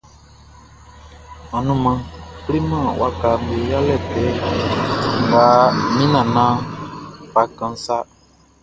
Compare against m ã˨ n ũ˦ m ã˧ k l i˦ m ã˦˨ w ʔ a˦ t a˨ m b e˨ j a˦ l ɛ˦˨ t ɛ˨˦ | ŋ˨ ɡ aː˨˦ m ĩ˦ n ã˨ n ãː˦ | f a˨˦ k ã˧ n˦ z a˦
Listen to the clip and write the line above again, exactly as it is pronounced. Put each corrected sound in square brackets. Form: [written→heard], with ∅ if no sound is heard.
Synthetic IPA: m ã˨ n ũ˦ m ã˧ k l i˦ m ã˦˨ w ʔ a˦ [t→k] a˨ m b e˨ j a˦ l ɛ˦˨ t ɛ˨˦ | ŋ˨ ɡ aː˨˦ m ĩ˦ n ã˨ n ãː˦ | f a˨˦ k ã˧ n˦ [z→s] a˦